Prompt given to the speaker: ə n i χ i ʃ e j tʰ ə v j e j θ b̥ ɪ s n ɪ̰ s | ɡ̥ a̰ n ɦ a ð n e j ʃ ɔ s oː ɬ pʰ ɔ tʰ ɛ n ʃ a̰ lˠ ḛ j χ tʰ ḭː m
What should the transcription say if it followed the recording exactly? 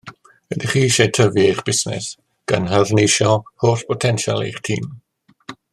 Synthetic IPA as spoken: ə d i χ iː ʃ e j tʰ ə v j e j χ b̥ ɪ s n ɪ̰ s | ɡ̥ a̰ n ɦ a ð n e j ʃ ɔ h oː ɬ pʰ ɔ tʰ ɛ n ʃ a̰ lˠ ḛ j χ tʰ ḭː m